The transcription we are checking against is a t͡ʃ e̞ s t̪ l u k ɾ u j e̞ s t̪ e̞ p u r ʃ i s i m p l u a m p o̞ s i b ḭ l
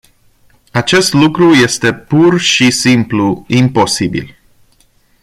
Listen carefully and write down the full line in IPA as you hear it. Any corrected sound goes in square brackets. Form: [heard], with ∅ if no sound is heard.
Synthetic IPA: a t͡ʃ e̞ s t̪ l u k ɾ u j e̞ s t̪ e̞ p u r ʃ i s i m p l u [i] m p o̞ s i b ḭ l